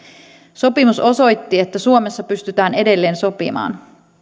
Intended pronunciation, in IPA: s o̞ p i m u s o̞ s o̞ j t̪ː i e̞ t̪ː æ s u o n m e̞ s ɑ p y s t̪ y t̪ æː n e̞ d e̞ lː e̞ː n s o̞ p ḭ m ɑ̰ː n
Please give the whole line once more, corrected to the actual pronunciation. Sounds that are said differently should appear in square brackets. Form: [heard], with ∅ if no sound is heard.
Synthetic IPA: s o̞ p i m u s o̞ s o̞ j t̪ː i e̞ t̪ː æ s u o [∅] m e̞ [sː] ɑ p y s t̪ y t̪ æː n e̞ d e̞ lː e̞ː n s o̞ p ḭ m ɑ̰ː n